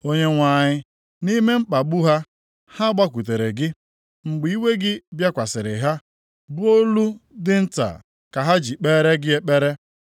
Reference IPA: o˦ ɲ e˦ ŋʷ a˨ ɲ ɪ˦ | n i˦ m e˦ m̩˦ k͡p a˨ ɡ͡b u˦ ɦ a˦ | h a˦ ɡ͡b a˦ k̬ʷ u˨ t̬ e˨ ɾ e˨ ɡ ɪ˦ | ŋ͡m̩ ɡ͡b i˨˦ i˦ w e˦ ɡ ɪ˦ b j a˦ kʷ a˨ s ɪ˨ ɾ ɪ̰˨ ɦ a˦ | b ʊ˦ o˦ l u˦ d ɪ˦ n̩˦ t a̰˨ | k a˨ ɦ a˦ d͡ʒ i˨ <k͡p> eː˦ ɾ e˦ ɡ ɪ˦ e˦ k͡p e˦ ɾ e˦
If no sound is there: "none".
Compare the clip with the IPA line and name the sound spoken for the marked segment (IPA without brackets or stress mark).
k͡p